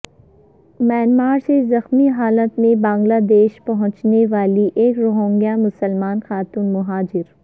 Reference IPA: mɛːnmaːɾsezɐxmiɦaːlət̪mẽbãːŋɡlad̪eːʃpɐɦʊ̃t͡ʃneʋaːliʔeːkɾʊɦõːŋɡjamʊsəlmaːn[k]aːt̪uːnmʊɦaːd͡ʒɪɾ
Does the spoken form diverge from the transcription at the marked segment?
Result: yes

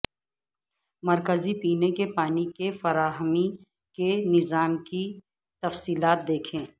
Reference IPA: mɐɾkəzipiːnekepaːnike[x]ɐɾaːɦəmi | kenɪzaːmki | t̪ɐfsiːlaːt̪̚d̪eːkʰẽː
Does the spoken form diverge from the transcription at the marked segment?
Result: yes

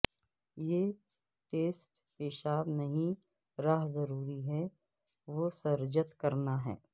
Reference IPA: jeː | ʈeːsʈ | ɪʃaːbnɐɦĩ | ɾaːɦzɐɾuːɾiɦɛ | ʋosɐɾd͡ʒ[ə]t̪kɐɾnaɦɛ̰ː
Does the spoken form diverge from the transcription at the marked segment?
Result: no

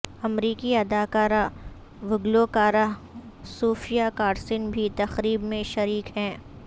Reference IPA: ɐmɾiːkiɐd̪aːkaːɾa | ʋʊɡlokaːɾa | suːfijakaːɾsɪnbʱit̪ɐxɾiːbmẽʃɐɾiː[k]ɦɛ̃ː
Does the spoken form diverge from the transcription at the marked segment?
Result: no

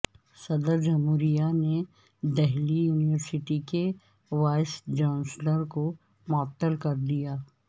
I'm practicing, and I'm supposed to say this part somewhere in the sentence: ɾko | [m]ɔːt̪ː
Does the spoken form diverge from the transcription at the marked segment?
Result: no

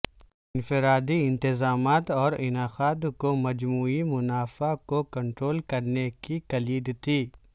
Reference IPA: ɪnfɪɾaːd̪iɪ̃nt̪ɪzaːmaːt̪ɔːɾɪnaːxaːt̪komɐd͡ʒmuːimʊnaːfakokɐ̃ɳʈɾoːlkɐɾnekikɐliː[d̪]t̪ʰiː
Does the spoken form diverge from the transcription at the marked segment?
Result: no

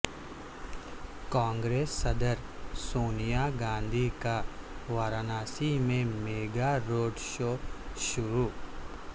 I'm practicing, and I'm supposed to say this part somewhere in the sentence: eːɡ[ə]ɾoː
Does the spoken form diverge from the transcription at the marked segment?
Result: yes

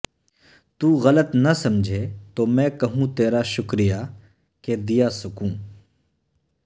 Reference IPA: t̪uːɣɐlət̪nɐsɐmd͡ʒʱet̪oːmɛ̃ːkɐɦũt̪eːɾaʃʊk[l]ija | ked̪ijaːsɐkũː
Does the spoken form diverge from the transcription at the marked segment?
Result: yes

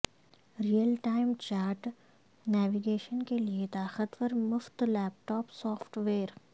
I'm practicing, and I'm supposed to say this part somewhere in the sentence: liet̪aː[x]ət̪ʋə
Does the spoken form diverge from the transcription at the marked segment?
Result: no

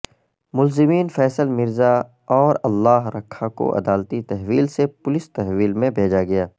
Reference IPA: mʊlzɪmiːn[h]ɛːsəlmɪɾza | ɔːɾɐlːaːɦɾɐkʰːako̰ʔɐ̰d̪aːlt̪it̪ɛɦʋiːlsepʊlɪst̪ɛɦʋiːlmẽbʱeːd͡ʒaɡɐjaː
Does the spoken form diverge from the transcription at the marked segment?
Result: yes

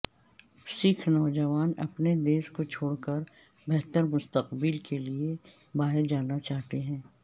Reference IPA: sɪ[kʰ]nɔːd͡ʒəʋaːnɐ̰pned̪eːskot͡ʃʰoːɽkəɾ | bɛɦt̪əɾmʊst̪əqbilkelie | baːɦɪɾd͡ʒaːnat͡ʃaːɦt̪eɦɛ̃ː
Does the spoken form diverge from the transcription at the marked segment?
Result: no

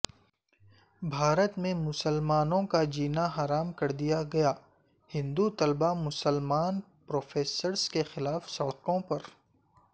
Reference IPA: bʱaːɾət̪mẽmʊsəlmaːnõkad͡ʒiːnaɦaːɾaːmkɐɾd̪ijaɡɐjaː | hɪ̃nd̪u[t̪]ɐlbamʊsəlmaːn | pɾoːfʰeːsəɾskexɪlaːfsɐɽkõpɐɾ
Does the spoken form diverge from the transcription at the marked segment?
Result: no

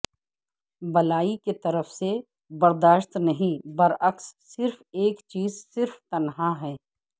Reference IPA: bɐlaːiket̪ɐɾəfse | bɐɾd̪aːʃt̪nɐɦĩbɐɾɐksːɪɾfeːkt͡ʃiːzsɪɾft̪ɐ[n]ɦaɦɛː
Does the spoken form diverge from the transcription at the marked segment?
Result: no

